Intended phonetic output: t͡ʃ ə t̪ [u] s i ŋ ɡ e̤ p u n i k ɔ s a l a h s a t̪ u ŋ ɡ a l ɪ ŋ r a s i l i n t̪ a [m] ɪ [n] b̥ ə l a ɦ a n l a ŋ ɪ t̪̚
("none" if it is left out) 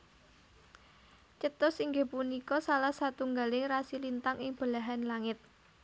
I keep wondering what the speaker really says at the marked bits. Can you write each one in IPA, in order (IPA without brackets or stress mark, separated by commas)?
ʊ, ŋ, ŋ